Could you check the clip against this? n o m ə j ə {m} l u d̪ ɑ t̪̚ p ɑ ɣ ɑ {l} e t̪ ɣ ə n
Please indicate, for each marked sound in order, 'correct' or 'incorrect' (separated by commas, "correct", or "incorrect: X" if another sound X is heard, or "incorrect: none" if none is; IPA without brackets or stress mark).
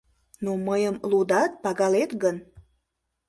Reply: correct, correct